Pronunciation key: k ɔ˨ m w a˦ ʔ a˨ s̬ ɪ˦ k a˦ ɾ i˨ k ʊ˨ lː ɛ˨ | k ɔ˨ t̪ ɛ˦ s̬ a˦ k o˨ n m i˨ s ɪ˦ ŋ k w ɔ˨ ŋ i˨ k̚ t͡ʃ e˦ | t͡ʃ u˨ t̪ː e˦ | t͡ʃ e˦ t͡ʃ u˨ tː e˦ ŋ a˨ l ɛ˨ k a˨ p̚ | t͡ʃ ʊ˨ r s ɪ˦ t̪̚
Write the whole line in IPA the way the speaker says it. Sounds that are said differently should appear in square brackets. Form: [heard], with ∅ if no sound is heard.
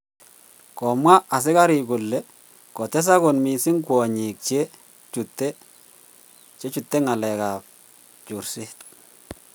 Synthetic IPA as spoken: k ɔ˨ m w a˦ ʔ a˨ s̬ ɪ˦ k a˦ ɾ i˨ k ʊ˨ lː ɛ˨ | k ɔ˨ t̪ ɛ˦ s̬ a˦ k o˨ n m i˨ s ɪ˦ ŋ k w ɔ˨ [ɲ] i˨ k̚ t͡ʃ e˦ | t͡ʃ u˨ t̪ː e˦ | t͡ʃ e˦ t͡ʃ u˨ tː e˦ ŋ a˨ l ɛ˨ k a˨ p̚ | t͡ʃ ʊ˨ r s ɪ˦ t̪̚